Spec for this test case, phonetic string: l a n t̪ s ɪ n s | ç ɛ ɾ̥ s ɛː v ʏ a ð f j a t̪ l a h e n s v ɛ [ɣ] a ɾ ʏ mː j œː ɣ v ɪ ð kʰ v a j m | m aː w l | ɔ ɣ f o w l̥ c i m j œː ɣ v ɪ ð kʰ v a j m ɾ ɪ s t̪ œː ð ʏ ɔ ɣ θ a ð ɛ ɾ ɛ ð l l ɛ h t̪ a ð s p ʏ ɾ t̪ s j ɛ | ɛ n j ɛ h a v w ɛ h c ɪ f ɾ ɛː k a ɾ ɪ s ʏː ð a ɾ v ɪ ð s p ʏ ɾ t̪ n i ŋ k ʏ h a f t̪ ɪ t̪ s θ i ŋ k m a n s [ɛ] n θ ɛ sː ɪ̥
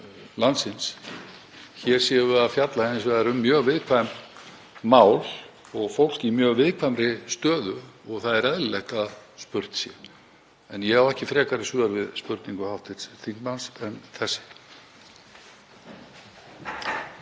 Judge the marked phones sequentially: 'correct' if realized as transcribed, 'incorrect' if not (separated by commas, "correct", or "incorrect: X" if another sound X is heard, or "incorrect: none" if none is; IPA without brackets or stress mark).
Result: incorrect: ð, correct